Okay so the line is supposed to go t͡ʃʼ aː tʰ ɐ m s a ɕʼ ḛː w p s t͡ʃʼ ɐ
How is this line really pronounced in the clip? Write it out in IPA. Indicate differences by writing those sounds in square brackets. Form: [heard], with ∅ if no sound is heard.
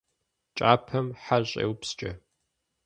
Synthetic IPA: t͡ʃʼ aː [pʰ] ɐ m [ħ] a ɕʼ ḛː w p s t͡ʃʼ ɐ